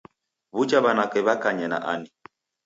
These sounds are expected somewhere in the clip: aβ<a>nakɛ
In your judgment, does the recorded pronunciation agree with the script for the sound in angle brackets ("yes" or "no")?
yes